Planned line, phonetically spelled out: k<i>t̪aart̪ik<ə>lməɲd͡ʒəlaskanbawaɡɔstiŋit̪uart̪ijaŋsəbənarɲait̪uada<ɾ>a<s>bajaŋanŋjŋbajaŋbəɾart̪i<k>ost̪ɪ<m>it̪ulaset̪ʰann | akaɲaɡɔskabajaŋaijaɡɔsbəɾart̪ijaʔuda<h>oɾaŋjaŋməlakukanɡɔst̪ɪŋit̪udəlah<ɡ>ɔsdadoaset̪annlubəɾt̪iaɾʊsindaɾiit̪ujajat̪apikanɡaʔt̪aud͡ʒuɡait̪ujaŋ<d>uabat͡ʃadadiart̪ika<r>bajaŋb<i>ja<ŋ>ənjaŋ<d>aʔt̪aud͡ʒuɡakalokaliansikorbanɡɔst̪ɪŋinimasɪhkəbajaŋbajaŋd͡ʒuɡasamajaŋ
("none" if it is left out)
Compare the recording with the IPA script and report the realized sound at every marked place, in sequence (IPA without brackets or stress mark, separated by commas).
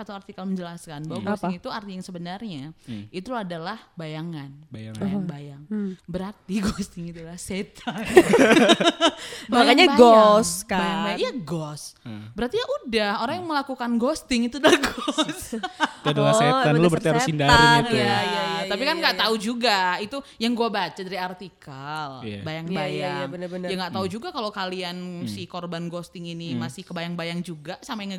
a, a, l, h, ɡ, ŋ, h, ɡ, ɡ, l, a, ŋ, ɡ